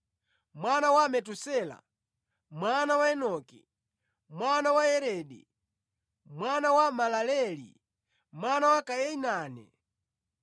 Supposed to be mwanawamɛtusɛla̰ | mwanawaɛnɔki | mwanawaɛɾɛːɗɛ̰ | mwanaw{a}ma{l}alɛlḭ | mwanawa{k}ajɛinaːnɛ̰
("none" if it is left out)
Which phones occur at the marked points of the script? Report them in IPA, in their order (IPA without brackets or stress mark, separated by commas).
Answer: a, l, k